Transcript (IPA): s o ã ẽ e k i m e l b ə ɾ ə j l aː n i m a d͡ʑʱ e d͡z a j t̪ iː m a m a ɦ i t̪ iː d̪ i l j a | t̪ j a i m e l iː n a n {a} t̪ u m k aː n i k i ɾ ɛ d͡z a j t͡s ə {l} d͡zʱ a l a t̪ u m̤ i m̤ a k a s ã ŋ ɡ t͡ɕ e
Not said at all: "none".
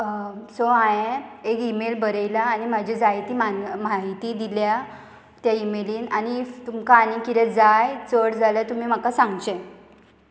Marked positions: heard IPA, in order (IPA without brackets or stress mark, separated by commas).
i, ɽ